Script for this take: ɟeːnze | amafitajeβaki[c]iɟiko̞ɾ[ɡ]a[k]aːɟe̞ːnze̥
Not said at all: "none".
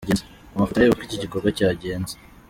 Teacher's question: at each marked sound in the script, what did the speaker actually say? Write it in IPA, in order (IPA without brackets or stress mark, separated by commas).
c, ɡ, c